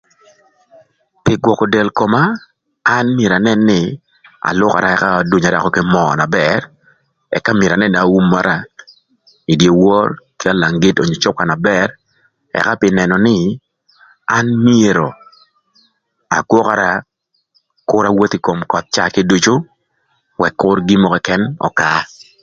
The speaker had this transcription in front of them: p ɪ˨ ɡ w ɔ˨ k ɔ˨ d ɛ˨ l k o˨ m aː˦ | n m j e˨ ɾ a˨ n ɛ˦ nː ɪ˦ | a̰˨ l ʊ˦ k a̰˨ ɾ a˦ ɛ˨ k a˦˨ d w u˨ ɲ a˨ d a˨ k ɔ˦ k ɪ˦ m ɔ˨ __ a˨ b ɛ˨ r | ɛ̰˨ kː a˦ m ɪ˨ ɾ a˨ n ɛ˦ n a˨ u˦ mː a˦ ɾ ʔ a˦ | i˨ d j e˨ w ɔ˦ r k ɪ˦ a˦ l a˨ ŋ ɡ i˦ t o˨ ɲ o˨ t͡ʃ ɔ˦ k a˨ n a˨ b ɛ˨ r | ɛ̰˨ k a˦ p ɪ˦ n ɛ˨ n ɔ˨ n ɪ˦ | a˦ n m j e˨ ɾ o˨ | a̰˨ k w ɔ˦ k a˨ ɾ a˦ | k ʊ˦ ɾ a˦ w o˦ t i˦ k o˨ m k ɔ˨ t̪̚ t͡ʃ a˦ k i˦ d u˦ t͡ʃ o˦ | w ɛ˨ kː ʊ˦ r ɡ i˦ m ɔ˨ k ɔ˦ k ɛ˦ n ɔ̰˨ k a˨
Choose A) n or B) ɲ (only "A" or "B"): A